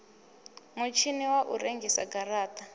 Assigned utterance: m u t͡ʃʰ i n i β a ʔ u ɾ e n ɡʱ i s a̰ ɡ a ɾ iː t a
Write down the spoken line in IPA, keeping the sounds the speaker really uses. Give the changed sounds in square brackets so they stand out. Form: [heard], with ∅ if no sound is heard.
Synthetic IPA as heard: m u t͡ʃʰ i n i [w] a ʔ u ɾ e [ŋ] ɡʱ i s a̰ ɡ a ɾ [aː] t a